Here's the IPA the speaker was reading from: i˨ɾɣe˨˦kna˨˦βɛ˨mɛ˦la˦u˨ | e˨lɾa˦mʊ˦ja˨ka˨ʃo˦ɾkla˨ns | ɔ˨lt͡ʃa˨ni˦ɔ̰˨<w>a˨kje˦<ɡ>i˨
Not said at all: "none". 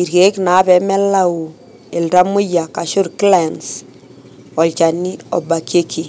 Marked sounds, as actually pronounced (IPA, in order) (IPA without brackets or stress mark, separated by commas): b, k